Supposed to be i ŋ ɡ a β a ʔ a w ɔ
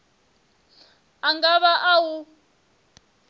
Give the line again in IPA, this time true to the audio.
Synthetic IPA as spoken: a ŋ ɡ a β a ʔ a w u